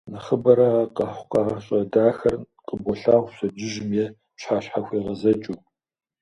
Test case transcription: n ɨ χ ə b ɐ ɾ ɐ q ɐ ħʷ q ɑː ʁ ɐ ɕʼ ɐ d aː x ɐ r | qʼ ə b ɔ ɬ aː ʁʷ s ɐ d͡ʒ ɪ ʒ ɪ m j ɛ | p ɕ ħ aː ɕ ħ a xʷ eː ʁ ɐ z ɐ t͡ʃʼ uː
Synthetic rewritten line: n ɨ χ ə b ɐ ɾ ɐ q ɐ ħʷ q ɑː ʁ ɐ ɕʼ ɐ d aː x ɐ r | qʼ ə b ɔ ɬ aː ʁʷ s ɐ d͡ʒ ɪ ʒ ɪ m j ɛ | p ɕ ħ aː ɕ ħ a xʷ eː ʁ ɐ z ɐ t͡ʃʼ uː